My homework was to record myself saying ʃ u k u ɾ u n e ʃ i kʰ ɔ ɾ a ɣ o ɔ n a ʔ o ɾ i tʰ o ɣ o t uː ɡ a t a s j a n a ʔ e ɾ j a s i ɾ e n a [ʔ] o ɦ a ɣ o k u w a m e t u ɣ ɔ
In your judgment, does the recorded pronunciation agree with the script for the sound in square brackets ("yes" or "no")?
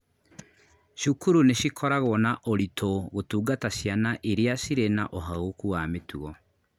yes